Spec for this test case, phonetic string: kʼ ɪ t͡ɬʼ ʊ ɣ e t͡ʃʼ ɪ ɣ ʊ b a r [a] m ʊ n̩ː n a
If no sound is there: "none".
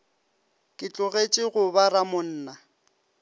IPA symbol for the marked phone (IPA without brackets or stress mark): a